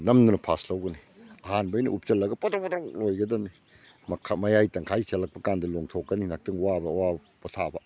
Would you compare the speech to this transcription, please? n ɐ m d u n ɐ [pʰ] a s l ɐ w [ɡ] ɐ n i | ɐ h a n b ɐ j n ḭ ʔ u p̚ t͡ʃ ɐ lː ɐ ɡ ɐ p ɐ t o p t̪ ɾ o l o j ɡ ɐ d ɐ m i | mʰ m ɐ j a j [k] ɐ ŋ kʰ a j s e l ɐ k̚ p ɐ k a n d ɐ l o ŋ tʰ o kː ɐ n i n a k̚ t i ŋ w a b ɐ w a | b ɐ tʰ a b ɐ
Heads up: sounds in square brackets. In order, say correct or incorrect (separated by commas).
correct, correct, incorrect